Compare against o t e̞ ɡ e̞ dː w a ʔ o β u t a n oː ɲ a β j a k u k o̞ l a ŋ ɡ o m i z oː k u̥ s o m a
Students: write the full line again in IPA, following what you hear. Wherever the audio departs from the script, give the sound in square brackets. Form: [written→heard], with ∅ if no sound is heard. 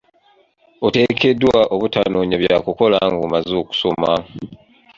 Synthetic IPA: o t e̞ [ɡ→k] e̞ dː w a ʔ o β u t a n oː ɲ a β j a k u k o̞ l a ŋ ɡ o m [i→a] z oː k u̥ s o m a